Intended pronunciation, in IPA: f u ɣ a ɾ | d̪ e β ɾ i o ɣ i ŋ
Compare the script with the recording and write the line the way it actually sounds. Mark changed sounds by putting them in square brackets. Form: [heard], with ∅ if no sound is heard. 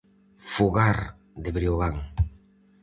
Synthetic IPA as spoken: f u ɣ a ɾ | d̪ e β ɾ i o ɣ [a] ŋ